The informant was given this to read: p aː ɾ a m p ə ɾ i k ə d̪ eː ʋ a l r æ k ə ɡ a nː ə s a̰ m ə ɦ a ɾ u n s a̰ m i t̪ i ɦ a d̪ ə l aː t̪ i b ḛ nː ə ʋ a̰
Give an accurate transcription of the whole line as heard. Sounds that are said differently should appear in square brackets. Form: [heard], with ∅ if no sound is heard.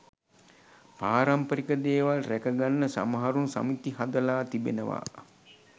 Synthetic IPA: p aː ɾ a m p ə ɾ i k ə d̪ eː ʋ a l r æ k ə ɡ a nː ə s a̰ m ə ɦ a ɾ u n s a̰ m i t̪ i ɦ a d̪ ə l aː t̪ i b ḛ [n] ə ʋ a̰